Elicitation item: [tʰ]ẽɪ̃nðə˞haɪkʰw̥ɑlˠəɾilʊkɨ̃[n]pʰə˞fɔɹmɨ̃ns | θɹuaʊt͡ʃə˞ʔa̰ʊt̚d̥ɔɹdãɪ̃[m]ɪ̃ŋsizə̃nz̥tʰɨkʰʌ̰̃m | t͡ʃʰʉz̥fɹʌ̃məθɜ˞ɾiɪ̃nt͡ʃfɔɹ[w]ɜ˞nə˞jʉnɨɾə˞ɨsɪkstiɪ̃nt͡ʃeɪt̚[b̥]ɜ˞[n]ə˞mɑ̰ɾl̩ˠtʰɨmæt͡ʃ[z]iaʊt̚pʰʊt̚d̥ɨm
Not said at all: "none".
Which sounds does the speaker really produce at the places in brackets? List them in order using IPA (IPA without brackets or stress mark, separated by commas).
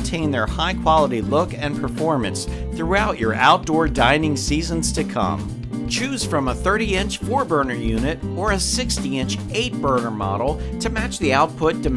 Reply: tʰ, n, n, b, b̥, n, ð